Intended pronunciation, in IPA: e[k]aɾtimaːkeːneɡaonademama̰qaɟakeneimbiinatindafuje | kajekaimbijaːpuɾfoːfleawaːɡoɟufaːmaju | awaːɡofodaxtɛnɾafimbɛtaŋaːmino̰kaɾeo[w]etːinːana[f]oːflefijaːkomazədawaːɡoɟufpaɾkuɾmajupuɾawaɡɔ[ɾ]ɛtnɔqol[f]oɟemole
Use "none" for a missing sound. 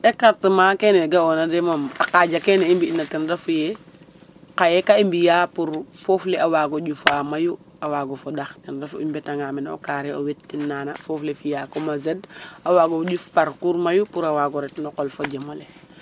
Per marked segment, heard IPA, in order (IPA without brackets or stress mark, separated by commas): k, w, f, ɾ, f